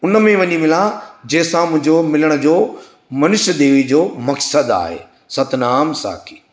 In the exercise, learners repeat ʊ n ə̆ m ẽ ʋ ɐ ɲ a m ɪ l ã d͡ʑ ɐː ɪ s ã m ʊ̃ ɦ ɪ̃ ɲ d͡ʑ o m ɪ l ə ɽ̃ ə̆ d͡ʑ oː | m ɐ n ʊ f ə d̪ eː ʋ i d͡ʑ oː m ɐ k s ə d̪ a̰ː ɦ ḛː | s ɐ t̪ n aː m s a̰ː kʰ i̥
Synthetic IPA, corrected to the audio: ʊ n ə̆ m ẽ ʋ ɐ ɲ i m ɪ l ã d͡ʑ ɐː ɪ s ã m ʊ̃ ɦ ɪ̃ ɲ d͡ʑ o m ɪ l ə ɽ̃ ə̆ d͡ʑ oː | m ɐ n ʊ ʃ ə d̪ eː ʋ i d͡ʑ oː m ɐ k s ə d̪ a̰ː ɦ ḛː | s ɐ t̪ n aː m s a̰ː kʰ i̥